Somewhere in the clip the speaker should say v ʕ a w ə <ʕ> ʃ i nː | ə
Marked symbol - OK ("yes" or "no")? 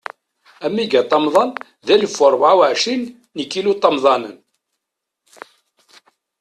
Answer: yes